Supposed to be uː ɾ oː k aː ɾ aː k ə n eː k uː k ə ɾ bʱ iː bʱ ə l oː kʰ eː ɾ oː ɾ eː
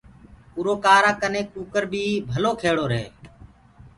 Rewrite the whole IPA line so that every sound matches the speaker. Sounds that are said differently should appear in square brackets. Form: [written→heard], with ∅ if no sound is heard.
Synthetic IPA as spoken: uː ɾ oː k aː ɾ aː k ə n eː k uː k ə ɾ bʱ iː bʱ ə l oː kʰ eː [ɾ→ɽ] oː ɾ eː